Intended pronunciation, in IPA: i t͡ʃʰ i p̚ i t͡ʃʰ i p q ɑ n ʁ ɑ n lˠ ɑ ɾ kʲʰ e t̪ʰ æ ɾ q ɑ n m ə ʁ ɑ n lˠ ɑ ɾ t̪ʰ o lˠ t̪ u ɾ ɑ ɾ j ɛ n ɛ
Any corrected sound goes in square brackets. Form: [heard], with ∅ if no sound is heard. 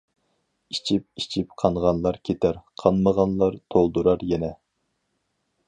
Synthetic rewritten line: i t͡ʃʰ i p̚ i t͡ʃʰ i p [qʰ] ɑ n ʁ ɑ n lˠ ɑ ɾ kʲʰ e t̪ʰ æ ɾ [qʰ] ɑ n m ə ʁ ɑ n lˠ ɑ ɾ t̪ʰ o lˠ [d̪] u ɾ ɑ ɾ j ɛ n ɛ